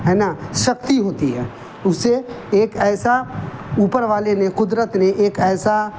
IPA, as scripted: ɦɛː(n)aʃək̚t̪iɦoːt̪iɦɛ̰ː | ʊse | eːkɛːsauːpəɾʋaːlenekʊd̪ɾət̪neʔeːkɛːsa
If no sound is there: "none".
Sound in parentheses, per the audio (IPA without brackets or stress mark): n